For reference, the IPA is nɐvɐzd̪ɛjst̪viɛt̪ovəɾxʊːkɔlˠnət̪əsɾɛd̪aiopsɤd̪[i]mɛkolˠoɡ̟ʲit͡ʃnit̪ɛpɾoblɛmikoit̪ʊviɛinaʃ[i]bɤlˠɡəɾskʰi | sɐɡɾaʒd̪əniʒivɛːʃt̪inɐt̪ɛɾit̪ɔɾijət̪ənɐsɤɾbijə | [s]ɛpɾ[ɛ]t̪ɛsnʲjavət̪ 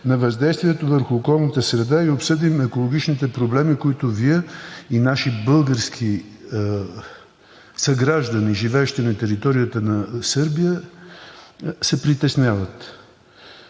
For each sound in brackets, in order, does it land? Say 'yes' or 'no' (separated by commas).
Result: yes, yes, yes, no